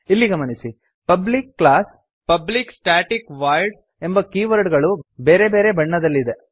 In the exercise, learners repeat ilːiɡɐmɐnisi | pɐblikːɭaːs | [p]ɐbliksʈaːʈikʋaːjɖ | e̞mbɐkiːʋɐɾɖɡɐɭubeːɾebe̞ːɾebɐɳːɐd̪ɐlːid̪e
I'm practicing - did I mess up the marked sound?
no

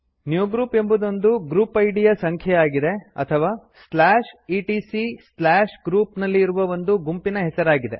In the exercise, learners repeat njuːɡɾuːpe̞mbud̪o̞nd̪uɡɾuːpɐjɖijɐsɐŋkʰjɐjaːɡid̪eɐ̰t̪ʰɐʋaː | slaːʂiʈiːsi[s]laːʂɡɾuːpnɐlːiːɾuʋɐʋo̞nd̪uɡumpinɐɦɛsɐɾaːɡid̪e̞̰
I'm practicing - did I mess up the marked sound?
no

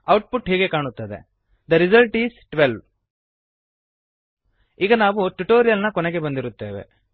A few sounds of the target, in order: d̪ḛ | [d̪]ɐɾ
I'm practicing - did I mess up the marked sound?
no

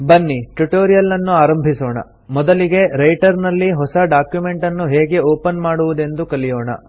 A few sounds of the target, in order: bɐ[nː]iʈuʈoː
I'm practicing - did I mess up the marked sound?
no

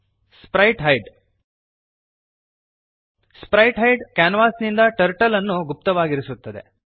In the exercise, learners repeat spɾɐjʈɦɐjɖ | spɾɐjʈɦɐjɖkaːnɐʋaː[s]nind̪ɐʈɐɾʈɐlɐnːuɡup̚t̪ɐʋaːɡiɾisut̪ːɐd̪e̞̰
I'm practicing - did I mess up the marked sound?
no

